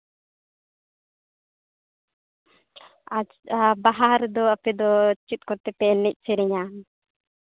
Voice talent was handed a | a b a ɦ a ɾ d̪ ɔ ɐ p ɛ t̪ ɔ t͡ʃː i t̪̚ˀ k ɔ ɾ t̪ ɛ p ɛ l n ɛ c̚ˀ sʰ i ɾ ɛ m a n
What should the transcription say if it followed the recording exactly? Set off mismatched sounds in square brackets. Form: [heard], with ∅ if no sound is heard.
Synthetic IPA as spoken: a | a b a ɦ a ɾ d̪ ɔ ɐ p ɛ [d̪] ɔ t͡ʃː i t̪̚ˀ k ɔ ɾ t̪ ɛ p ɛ l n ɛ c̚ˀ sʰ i ɾ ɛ [ɲ] a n